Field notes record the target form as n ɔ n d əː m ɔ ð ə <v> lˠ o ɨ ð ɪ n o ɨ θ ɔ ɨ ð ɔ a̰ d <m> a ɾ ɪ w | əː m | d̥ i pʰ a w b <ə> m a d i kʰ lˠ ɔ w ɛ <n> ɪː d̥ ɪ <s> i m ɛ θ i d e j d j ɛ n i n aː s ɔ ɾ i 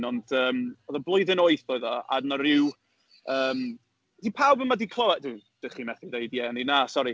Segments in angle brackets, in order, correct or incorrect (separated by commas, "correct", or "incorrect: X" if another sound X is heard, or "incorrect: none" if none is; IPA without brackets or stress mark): incorrect: b, incorrect: n, correct, incorrect: d, incorrect: χ